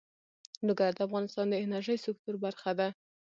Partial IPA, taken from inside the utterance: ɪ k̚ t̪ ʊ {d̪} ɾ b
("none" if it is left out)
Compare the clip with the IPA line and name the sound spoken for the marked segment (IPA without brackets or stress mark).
none